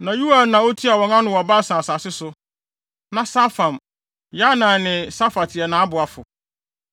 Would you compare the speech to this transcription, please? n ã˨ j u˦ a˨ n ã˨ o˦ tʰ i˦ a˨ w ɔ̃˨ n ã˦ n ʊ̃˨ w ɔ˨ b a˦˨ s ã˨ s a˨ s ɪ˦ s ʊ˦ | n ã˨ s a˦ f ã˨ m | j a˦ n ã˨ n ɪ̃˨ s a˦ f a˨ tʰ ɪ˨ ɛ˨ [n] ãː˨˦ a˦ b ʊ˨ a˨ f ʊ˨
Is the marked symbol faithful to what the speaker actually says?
yes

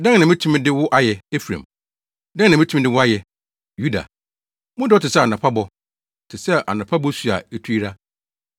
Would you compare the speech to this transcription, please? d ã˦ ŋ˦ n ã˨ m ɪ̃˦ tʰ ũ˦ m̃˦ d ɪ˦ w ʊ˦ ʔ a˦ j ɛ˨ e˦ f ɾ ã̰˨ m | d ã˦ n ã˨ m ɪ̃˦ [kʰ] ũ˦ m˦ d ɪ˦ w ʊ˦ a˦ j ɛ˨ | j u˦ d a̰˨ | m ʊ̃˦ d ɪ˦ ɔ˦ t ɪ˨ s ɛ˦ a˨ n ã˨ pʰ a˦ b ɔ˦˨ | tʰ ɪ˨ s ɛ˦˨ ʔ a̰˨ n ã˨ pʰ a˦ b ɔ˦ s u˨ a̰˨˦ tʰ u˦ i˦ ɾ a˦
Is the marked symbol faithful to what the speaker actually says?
no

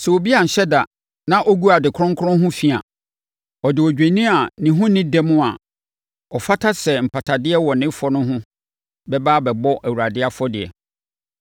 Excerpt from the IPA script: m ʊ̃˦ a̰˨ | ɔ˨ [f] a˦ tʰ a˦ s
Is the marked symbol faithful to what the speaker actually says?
yes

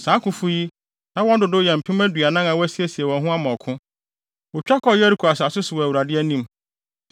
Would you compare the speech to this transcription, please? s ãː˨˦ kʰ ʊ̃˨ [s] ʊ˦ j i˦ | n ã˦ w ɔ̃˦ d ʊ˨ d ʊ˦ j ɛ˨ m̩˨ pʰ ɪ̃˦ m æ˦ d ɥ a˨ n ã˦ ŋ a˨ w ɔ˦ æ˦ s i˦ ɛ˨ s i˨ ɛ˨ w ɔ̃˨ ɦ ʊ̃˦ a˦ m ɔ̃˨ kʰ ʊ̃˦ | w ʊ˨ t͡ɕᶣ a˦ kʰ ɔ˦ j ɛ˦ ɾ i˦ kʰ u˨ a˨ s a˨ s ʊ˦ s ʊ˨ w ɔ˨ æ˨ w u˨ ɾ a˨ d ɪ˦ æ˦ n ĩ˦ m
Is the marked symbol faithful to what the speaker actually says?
no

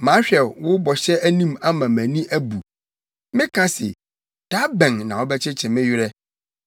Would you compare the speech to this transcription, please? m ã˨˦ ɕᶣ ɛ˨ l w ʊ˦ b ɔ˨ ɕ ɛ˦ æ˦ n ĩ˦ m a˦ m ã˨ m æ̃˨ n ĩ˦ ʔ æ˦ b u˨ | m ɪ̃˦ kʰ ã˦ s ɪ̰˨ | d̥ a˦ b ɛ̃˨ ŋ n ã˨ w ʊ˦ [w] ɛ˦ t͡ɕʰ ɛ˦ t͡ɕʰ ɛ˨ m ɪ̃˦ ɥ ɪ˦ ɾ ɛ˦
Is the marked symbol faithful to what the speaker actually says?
no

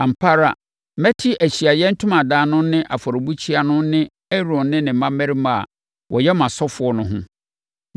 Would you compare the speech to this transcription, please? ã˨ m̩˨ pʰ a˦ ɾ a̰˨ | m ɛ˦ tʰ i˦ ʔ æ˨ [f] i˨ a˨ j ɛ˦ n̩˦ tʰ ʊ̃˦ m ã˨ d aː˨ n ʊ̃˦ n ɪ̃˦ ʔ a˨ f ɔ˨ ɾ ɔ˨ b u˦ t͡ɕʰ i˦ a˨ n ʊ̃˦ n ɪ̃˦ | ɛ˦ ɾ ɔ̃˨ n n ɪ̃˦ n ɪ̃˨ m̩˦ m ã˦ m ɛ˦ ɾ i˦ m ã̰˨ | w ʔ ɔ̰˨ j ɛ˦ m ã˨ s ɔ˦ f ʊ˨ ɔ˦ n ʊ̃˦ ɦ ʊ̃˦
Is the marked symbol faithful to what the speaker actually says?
no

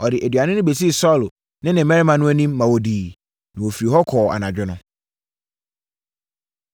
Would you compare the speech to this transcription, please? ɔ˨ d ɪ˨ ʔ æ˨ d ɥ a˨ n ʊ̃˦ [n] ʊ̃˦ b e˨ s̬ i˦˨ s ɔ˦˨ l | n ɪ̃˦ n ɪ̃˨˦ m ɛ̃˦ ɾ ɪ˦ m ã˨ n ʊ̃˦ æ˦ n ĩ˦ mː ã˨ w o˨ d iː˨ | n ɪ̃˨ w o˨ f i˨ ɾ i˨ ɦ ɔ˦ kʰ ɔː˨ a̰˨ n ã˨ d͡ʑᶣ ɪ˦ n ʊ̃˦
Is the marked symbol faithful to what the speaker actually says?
yes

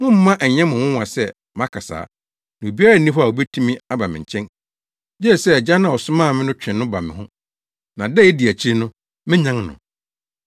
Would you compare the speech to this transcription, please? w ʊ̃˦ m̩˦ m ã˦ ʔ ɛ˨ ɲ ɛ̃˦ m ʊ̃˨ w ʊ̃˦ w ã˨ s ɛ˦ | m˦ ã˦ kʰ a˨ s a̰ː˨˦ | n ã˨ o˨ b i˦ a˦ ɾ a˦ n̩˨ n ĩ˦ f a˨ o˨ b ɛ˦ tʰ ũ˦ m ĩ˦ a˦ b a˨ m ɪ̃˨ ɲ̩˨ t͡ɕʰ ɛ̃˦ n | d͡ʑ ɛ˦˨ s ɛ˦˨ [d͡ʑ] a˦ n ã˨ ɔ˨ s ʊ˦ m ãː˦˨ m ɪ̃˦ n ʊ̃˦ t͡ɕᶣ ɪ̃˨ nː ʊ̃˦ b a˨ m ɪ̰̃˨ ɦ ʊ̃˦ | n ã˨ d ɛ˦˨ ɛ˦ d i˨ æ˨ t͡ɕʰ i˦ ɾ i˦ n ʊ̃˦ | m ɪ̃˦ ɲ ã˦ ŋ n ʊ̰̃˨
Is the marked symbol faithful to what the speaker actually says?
yes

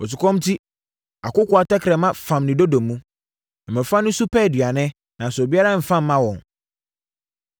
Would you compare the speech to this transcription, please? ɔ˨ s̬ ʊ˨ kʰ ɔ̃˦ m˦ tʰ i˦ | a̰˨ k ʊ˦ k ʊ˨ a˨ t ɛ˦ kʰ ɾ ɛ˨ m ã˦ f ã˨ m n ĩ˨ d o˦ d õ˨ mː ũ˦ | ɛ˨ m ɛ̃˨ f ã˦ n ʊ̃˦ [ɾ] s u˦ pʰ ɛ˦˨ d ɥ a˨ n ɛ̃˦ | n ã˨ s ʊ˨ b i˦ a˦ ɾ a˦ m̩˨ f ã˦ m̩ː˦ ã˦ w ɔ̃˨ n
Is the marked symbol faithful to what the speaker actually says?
no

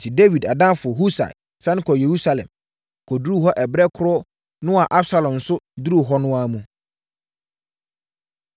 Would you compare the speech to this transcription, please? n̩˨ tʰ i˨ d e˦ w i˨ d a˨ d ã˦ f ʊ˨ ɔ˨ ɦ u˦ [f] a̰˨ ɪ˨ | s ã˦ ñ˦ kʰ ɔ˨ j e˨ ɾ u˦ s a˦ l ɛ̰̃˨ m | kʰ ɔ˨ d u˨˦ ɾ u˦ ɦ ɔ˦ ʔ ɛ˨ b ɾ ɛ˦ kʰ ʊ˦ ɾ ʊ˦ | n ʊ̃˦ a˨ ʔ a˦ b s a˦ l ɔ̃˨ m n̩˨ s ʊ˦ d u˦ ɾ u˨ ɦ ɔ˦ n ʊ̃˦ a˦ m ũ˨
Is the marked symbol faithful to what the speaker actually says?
no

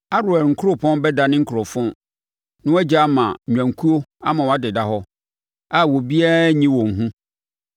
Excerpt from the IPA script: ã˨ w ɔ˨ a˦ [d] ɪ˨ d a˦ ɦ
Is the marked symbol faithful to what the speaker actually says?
yes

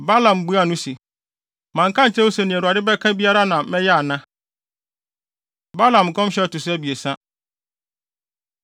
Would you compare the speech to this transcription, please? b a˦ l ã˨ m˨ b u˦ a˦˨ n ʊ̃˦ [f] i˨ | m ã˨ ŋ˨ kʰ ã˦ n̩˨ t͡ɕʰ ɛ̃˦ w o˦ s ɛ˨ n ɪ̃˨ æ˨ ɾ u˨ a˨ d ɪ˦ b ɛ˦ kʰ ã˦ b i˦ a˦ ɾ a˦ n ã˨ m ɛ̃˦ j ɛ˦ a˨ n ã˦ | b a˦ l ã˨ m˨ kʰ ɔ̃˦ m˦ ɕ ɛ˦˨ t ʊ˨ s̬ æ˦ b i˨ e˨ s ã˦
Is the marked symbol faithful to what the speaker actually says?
no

